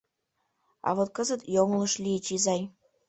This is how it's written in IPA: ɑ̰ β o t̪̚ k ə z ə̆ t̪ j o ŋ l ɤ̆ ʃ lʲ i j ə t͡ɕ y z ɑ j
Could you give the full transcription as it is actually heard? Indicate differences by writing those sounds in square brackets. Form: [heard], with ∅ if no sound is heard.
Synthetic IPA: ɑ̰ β o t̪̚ k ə z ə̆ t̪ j o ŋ l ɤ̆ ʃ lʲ i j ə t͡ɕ [i] z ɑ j